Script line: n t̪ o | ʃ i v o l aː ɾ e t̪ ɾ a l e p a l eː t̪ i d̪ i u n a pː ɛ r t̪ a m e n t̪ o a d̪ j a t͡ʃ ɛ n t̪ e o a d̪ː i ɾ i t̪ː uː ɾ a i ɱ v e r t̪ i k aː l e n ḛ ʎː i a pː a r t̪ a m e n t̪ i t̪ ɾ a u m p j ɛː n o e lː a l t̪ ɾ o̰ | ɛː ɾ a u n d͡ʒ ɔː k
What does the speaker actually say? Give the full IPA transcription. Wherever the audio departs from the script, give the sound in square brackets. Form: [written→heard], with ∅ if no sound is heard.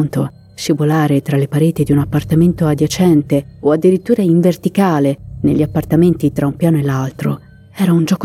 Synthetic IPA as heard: n t̪ o | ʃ i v o l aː ɾ e t̪ ɾ a l e p a [l→ɾ] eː t̪ i d̪ i u n a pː [ɛ→a] r t̪ a m e n t̪ o a d̪ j a t͡ʃ ɛ n t̪ e o a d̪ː i ɾ i t̪ː uː ɾ a i ɱ v e r t̪ i k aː l e n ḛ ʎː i a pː a r t̪ a m e n t̪ i t̪ ɾ a u m p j [ɛː→aː] n o e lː a l t̪ ɾ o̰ | ɛː ɾ a u n d͡ʒ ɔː k